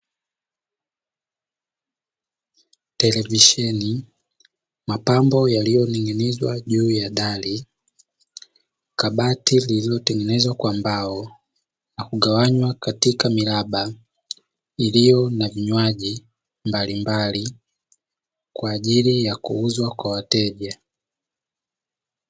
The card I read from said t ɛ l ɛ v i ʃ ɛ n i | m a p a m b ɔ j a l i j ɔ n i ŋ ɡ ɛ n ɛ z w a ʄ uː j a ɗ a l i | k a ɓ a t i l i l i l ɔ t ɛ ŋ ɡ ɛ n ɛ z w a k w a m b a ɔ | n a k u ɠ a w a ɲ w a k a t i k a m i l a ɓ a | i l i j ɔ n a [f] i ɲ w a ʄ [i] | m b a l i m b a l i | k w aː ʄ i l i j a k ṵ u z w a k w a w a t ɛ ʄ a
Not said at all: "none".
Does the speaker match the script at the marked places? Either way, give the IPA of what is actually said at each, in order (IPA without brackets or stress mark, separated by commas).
v, i